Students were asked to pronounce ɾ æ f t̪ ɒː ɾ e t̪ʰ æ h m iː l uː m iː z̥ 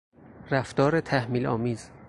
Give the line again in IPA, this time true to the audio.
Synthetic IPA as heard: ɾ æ f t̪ ɒː ɾ e t̪ʰ æ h m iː l ɒː m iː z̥